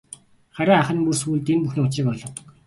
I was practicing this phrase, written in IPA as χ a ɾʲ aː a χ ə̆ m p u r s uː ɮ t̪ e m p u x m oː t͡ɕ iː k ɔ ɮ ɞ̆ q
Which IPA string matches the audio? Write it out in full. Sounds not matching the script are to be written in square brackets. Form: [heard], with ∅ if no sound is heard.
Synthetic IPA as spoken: χ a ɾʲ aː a χ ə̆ [n] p u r s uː ɮ t̪ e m p u x [n] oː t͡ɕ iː k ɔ ɮ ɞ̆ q